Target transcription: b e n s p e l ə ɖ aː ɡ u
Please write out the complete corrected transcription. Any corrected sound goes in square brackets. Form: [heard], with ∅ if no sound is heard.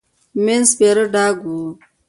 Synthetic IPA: [m] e n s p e [ɾ] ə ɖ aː ɡ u